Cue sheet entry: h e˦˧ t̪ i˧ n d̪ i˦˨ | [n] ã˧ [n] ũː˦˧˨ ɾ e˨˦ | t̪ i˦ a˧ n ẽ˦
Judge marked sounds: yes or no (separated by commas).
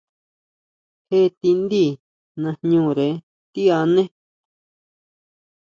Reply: yes, no